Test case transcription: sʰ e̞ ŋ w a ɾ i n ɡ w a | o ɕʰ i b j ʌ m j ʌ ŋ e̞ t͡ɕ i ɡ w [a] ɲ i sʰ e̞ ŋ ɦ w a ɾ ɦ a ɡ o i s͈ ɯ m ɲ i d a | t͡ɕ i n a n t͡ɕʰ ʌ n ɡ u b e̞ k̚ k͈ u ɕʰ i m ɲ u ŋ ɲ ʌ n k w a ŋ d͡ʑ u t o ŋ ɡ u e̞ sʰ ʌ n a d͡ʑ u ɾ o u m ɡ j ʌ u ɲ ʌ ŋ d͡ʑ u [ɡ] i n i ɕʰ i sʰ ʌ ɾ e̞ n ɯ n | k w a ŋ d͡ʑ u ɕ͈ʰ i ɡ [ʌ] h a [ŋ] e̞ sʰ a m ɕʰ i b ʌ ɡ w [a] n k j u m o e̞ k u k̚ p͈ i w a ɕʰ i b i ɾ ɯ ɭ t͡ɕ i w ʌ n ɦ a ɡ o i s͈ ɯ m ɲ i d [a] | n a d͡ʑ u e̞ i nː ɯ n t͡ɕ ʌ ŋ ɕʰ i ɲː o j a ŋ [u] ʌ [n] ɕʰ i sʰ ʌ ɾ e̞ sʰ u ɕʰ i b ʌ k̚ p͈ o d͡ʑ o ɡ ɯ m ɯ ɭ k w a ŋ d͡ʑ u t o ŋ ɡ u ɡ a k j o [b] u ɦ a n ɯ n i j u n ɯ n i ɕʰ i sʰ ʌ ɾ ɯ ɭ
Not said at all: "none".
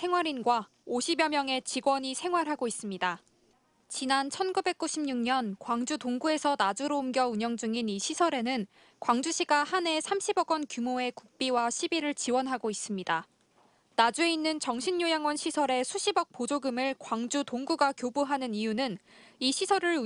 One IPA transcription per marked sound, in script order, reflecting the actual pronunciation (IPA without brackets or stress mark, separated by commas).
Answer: ʌ, ŋ, a, n, ʌ, a, w, n, b